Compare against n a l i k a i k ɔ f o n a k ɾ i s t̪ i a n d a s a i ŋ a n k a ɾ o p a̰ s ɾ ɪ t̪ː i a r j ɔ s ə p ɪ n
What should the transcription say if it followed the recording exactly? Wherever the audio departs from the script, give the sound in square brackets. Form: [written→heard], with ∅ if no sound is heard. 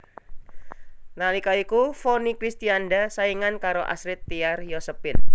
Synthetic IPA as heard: n a l i k a i k [ɔ→u] f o n [a→i] k ɾ i s t̪ i a n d a s a i ŋ a n k a ɾ o [p→ʔ] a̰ s ɾ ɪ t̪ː i a r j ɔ s ə p ɪ n